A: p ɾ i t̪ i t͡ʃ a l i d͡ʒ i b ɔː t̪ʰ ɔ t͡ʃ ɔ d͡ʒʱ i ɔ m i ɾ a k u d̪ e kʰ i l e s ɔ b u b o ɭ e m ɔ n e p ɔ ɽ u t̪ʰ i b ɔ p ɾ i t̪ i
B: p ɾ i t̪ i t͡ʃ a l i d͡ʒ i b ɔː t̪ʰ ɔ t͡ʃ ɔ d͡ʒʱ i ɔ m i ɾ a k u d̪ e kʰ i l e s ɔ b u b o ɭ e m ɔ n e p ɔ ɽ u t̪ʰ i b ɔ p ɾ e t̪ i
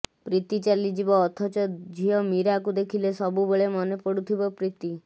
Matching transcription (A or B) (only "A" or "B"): A